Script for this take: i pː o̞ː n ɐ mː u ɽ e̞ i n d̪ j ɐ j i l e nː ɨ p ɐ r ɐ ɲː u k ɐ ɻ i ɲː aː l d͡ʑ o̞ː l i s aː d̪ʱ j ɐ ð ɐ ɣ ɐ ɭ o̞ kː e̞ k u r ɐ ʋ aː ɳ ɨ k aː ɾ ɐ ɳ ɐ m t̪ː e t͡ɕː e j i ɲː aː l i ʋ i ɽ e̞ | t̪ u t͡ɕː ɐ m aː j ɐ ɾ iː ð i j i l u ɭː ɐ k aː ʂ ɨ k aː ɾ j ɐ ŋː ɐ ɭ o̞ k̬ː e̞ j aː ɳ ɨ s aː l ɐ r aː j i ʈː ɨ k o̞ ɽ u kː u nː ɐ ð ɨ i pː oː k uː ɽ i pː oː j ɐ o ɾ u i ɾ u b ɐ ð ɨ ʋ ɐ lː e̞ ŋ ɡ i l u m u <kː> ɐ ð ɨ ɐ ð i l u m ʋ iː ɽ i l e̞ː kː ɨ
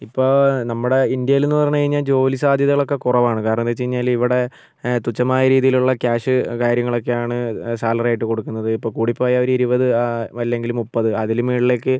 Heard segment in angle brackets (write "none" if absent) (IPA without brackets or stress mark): pː